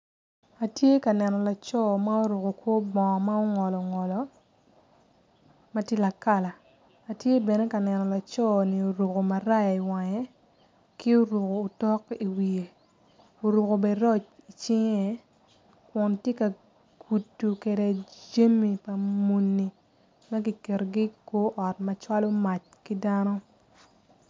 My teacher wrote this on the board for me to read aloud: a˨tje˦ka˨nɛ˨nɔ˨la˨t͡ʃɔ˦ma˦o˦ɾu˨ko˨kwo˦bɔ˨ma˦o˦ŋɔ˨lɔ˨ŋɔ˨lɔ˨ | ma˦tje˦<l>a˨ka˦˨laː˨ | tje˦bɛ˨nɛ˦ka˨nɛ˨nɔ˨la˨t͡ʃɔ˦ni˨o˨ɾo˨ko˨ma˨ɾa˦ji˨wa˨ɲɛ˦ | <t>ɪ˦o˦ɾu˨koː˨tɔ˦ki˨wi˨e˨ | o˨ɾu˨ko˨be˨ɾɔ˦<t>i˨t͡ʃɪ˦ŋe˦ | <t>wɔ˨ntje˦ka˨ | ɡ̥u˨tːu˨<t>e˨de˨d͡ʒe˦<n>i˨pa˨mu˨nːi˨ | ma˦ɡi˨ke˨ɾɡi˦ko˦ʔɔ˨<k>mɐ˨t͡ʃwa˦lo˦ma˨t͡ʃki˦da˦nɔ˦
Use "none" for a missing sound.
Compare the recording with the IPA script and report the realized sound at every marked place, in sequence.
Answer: l, k, t͡ʃ, k, k, m, t

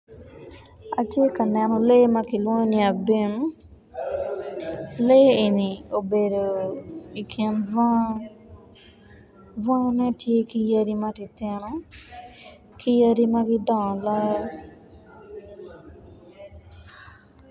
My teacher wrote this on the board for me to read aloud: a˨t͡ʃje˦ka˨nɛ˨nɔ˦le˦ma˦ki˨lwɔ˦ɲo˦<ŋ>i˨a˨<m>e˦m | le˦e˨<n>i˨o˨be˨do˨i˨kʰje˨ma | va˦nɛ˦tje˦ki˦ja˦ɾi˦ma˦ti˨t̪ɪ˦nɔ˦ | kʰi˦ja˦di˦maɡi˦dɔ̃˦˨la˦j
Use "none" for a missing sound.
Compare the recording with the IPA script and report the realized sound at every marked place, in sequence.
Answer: n, b, n

